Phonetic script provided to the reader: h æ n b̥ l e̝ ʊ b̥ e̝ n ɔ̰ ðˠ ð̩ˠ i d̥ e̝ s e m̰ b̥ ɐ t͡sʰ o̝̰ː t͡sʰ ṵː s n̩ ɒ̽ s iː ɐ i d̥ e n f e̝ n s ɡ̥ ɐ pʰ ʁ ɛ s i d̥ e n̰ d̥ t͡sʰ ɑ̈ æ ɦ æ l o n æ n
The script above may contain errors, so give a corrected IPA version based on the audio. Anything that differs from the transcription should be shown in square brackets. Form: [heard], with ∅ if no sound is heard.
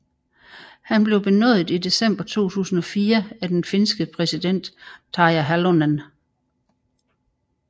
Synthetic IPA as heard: h æ n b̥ l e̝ ʊ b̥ e̝ n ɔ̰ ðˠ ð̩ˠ i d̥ e̝ s e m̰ b̥ ɐ t͡sʰ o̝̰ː t͡sʰ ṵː s n̩ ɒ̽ [f] iː ɐ [æ] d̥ e n f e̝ n s ɡ̥ [ə] pʰ ʁ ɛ s i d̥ e n̰ d̥ t͡sʰ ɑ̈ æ ɦ æ l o n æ n